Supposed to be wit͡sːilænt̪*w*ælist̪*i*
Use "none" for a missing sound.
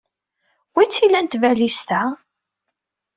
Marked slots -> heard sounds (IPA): v, æ

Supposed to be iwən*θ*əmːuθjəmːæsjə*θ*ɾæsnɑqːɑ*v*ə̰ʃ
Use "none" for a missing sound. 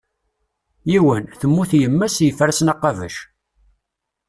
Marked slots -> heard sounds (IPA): θ, f, v

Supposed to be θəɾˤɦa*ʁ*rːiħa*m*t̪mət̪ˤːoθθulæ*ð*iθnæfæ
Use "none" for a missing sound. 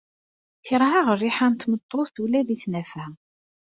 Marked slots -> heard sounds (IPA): ʁ, n, ð

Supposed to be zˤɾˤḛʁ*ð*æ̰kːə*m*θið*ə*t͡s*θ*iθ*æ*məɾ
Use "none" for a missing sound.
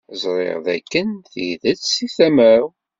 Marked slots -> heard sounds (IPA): ð, n, ə, s, æ

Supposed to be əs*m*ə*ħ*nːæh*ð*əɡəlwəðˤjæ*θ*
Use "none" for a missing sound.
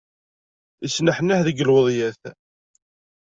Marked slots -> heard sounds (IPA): n, ħ, ð, θ

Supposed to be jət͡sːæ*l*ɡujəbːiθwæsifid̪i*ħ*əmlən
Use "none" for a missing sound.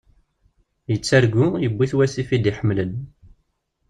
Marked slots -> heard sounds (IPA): ɾ, ħ

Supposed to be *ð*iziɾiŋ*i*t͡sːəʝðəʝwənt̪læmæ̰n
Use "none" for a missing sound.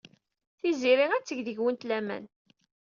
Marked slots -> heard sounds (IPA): θ, æ

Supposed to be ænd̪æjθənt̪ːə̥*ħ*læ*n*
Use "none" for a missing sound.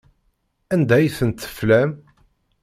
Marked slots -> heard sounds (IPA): f, m

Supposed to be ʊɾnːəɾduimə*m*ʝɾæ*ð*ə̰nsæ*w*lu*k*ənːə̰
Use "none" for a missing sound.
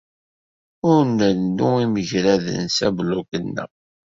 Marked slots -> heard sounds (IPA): none, ð, b, k

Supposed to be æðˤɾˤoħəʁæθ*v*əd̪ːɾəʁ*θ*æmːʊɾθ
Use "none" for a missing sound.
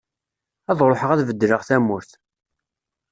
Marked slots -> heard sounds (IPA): v, θ

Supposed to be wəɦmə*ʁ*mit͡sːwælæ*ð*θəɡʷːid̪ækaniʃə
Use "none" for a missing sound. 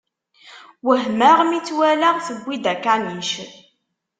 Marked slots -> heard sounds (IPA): ʁ, ʁ

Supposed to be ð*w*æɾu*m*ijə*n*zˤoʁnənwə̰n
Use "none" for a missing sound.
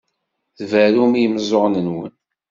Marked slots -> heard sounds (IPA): v, m, m

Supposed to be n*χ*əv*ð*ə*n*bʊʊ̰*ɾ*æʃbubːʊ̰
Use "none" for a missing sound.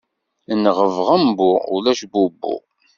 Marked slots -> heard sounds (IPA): ʁ, ʁ, m, l

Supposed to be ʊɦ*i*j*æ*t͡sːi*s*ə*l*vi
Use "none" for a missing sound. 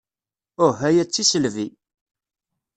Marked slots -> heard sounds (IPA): æ, æ, s, l

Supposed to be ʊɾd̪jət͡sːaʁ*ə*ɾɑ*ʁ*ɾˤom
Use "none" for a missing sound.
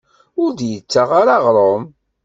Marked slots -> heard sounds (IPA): a, ʁ

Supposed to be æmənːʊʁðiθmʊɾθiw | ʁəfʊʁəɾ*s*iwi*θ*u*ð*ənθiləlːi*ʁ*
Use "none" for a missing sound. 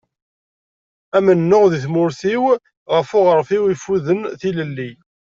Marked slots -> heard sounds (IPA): f, f, ð, none

